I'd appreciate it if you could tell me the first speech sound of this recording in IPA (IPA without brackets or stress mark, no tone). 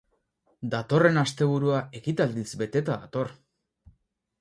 d̪